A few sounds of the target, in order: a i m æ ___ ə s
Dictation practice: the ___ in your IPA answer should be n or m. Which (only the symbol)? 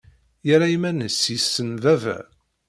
n